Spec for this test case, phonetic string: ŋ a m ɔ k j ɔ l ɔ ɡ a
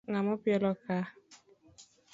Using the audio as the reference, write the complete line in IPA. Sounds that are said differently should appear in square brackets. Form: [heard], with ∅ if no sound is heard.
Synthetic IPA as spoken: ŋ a m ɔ [p] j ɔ l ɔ [k] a

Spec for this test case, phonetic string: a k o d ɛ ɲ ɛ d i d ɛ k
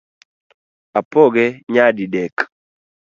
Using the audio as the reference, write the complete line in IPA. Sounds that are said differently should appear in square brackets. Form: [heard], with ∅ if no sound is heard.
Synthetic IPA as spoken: a [p] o [ɡ] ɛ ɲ [a] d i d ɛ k

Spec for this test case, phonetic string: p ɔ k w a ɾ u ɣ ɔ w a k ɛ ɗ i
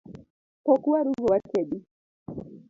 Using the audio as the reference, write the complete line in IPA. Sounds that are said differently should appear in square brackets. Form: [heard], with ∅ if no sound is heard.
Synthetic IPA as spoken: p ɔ k [u] a ɾ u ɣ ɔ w a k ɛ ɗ i

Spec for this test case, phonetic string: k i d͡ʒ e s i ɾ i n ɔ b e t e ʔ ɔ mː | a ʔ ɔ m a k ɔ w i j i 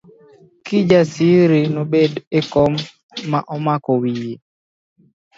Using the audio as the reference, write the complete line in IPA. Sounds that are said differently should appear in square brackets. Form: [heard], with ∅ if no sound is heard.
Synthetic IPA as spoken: k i d͡ʒ [a] s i ɾ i n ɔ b e [d] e [k] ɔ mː | a ʔ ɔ m a k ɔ w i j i

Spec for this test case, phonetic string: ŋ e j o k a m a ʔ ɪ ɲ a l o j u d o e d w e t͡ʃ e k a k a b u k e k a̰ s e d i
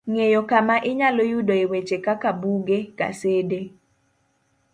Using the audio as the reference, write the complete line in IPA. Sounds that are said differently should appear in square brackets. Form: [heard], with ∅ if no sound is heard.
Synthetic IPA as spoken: ŋ e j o k a m a ʔ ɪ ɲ a l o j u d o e [∅] w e t͡ʃ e k a k a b u [ɡ] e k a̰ s e d [e]

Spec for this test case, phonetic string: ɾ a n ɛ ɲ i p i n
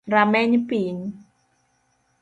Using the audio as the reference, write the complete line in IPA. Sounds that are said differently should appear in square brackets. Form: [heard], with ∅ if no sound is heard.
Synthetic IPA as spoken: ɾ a [m] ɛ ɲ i p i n

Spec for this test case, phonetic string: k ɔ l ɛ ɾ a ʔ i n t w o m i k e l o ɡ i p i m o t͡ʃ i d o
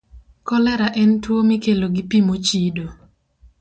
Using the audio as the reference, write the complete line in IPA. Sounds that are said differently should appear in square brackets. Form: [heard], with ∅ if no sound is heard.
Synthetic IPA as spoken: k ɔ l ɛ ɾ a ʔ [ɛ] n t w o m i k e l o ɡ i p i m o t͡ʃ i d o

